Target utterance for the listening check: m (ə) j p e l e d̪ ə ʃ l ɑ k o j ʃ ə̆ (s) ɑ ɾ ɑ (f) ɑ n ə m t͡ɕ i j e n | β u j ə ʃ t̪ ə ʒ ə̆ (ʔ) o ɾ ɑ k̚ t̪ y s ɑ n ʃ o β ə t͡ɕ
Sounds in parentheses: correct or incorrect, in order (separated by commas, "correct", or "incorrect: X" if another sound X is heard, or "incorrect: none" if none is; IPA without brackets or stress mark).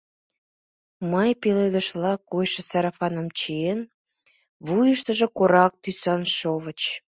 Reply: incorrect: ɑ, correct, correct, incorrect: k